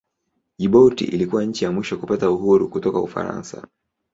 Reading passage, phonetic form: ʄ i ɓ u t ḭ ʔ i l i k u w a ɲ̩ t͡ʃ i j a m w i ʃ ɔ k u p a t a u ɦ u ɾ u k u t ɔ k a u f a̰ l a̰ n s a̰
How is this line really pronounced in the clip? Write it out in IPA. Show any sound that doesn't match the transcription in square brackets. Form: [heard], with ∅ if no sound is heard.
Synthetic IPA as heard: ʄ i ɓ [ɔ] t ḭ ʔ i l i k u w a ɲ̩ t͡ʃ i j a m w i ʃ ɔ k u p a t a u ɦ u ɾ u k u t ɔ k a u f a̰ [ɾ] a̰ n s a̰